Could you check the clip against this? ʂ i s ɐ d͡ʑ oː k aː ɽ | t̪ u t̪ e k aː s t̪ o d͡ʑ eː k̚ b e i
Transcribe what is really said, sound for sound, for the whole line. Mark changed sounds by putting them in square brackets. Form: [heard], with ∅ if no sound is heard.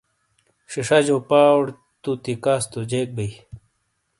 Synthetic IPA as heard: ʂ i [ʂ] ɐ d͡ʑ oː [p] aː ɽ | t̪ u t̪ [i] k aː s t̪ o d͡ʑ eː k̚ b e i